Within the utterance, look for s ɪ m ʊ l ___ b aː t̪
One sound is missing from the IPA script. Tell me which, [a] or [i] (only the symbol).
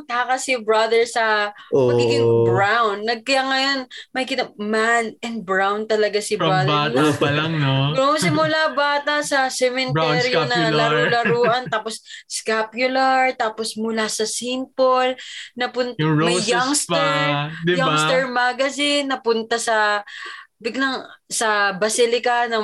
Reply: a